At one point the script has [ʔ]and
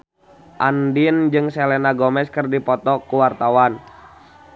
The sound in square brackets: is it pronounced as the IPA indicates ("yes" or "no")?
yes